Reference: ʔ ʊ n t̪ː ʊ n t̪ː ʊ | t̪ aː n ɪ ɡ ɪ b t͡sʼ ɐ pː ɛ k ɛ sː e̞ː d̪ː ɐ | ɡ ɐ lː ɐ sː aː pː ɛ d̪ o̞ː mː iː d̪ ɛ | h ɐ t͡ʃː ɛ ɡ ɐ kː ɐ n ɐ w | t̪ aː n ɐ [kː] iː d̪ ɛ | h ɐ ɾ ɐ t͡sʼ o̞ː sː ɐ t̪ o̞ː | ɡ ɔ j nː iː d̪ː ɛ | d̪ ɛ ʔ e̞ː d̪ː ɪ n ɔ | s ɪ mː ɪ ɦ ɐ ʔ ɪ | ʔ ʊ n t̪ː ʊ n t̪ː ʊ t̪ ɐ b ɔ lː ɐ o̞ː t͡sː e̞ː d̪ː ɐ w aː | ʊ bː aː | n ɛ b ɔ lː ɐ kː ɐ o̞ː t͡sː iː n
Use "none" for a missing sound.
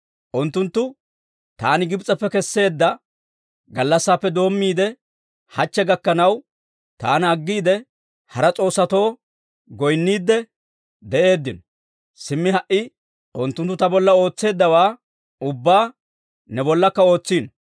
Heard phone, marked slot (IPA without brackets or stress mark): ɡː